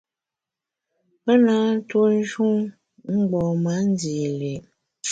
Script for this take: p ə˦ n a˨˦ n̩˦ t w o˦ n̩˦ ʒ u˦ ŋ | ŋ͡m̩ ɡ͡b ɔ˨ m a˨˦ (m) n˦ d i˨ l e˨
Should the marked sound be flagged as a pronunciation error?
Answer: yes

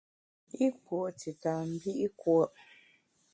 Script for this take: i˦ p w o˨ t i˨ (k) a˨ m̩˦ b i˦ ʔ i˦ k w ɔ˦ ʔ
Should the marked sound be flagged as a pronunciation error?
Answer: yes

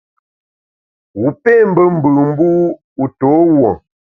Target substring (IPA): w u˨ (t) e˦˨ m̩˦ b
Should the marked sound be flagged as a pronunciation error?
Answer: yes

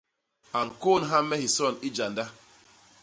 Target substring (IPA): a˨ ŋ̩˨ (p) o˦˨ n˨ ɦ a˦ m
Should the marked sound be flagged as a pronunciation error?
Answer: yes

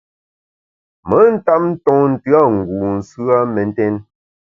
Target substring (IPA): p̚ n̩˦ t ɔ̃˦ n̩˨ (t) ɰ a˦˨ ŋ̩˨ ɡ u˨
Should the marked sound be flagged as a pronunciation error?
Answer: no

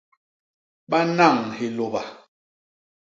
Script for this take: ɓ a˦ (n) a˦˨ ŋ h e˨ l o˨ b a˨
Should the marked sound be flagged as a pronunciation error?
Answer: no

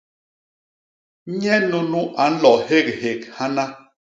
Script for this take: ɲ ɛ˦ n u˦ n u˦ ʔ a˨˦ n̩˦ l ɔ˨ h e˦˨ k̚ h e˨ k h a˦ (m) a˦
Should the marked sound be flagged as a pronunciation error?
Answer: yes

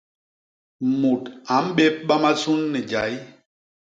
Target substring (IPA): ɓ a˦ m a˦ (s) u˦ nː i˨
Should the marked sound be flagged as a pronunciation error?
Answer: no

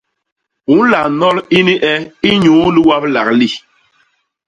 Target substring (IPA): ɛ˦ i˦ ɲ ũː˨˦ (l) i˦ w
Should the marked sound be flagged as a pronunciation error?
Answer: no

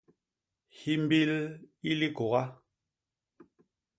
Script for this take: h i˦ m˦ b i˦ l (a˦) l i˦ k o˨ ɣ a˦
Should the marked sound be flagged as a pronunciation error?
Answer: yes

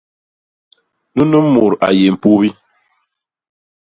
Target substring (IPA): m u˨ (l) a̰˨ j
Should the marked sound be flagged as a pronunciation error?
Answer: yes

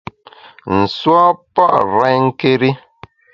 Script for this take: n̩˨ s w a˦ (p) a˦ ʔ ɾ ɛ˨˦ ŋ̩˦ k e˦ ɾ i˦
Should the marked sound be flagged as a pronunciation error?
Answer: no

